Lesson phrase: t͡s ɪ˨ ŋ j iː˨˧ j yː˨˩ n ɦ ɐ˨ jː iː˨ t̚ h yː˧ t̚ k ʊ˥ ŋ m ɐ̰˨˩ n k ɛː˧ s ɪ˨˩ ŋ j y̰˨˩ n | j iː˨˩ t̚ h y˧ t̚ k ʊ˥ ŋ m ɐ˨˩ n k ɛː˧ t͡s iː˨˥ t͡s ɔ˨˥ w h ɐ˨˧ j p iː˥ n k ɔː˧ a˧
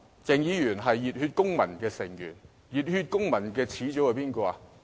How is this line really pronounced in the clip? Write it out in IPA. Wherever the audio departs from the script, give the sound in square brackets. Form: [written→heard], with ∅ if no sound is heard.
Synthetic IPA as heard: t͡s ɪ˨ ŋ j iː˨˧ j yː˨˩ n ɦ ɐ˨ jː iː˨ t̚ h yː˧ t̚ k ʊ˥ ŋ m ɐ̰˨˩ n k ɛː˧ s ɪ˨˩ ŋ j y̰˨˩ n | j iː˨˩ t̚ h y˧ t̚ k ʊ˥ ŋ m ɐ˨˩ n k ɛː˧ [t͡s→t͡sʰ] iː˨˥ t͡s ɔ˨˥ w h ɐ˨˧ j p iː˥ n k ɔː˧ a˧